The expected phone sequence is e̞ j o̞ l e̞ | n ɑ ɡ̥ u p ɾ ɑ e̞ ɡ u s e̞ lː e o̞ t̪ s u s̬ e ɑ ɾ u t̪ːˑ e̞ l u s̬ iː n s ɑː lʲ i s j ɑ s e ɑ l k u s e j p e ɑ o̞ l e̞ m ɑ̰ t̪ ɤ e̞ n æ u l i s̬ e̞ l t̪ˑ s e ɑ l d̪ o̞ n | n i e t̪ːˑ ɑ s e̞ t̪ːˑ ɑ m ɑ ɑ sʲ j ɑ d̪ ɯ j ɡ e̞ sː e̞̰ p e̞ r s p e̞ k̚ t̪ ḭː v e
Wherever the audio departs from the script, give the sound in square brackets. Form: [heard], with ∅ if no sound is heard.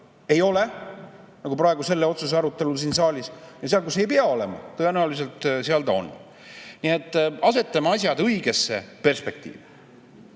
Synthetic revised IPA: e̞ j o̞ l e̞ | n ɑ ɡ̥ u p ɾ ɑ e̞ ɡ u s e̞ lː e o̞ t̪ s u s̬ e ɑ ɾ u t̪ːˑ e̞ l u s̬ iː n s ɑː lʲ i s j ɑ s e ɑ l k u s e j p e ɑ o̞ l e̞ m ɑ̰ t̪ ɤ e̞ n æ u l i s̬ e̞ l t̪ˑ s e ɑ l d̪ o̞ n | n i e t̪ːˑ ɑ s e̞ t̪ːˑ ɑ m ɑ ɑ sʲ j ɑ d̪ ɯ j ɡ e̞ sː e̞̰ p e̞ r s p e̞ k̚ t̪ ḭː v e